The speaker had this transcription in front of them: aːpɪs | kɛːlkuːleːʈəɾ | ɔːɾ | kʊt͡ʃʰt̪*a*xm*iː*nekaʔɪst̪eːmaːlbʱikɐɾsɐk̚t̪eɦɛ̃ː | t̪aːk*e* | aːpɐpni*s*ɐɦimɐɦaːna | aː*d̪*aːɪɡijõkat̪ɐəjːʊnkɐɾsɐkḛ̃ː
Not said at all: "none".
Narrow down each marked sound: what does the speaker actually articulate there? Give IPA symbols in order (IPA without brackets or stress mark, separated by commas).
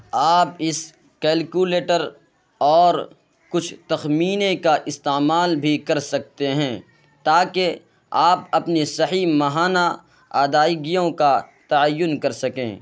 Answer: ɐ, iː, e, s, d̪